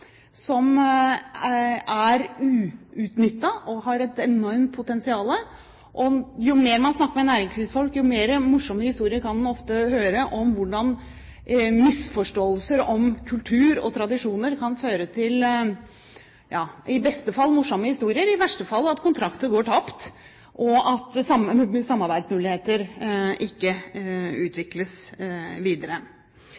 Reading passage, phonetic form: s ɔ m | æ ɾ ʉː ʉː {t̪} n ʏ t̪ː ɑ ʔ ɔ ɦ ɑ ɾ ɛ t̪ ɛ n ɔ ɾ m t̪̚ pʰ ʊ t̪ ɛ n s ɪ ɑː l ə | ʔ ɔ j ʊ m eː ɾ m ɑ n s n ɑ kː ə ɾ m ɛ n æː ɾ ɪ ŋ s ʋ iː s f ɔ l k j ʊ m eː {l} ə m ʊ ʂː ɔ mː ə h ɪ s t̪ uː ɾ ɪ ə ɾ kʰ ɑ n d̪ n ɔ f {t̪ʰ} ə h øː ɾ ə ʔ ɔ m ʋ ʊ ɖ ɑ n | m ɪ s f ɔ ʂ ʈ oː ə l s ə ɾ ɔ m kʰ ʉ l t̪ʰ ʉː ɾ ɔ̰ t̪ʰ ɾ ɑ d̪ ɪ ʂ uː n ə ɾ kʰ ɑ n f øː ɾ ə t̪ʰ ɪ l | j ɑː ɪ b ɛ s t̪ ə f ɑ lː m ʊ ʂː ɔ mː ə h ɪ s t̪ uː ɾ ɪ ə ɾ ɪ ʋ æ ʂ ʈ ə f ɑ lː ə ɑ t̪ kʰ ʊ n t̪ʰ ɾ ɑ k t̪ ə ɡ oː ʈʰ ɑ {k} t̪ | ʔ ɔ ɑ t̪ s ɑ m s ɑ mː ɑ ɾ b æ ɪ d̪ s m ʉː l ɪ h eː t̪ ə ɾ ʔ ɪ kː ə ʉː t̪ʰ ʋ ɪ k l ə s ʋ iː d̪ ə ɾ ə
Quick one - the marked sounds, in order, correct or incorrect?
correct, incorrect, incorrect, incorrect

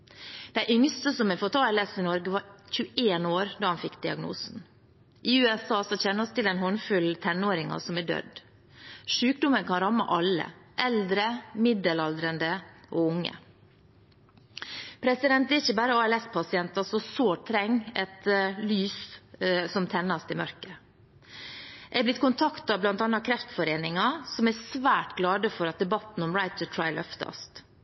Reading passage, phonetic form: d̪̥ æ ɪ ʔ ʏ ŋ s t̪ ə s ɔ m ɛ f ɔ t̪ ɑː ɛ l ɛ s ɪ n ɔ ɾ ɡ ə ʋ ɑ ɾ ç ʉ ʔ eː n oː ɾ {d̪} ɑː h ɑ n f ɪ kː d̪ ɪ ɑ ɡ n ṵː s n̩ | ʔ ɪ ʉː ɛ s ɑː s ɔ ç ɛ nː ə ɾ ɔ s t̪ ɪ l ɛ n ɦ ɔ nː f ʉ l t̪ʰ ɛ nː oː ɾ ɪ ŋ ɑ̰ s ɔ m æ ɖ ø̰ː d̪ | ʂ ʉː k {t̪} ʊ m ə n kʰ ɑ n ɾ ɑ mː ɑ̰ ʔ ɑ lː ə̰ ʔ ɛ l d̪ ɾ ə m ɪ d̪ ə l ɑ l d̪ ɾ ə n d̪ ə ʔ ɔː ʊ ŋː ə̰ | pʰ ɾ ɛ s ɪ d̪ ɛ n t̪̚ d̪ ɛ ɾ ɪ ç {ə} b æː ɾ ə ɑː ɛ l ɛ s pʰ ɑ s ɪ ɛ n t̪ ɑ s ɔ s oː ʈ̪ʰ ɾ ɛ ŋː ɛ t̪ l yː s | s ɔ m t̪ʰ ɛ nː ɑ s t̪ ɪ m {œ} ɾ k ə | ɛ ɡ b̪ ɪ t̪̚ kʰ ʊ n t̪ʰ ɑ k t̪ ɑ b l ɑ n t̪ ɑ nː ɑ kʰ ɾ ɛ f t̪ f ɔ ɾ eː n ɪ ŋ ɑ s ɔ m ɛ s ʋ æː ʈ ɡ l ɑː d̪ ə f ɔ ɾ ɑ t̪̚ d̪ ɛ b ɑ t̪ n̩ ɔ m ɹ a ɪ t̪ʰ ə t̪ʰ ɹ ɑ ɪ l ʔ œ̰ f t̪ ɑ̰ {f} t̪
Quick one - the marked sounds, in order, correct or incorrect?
correct, incorrect, correct, correct, incorrect

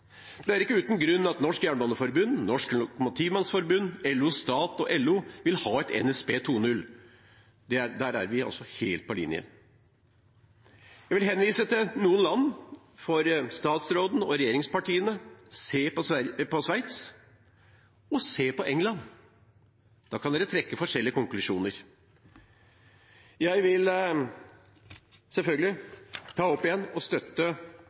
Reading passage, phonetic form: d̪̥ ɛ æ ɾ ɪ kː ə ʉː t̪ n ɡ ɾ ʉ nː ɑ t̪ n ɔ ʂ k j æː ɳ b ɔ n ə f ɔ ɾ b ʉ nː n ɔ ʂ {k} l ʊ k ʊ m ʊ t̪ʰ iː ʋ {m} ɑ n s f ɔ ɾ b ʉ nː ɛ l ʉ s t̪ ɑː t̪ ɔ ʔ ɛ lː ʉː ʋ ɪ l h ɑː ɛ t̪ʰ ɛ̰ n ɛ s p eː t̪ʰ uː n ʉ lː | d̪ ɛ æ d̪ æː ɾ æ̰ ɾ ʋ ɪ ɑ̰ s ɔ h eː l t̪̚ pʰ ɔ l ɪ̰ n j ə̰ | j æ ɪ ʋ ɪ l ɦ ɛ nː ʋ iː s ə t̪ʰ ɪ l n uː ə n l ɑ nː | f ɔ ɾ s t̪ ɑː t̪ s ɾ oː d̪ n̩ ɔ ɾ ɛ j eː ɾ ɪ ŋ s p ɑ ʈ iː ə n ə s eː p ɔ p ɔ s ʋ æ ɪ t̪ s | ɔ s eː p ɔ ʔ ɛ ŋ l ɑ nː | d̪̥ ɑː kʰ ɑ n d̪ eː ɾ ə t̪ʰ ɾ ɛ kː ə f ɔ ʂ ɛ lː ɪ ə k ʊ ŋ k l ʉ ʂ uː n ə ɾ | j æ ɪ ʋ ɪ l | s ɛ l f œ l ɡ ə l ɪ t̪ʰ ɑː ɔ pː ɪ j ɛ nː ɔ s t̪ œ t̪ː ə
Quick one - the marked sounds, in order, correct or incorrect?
correct, correct

